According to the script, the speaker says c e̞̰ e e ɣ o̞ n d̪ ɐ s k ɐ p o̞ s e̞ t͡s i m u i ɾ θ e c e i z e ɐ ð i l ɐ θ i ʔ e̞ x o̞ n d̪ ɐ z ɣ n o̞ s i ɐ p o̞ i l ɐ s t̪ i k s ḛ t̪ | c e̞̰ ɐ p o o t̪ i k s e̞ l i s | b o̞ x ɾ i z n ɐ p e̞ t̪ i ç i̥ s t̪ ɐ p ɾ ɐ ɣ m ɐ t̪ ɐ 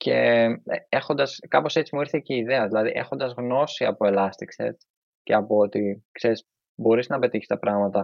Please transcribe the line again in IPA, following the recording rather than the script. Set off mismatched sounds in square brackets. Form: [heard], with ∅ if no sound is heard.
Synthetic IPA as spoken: c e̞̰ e e [x] o̞ n d̪ ɐ s k ɐ p o̞ s e̞ t͡s i m u i ɾ θ e c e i [ð] e ɐ ð i l ɐ [ð] i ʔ e̞ x o̞ n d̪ ɐ z ɣ n o̞ s i ɐ p o̞ [e] l ɐ s t̪ i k s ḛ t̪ | c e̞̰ ɐ p o o t̪ i k s e̞ [ɾ] i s | b o̞ [∅] ɾ i z n ɐ p e̞ t̪ i ç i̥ s t̪ ɐ p ɾ ɐ ɣ m ɐ t̪ ɐ